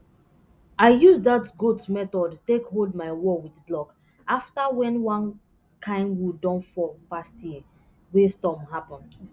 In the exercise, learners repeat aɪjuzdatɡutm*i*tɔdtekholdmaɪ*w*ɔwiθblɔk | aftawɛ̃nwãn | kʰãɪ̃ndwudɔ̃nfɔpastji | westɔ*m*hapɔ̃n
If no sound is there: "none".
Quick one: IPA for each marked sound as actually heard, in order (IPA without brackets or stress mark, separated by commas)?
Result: ɛ, w, m